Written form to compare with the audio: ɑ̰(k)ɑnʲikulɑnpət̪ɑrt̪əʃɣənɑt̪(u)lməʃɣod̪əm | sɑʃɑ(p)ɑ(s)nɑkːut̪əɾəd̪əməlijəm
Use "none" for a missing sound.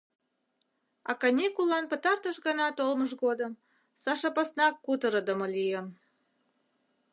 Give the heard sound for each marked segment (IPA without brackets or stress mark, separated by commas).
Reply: k, o, p, s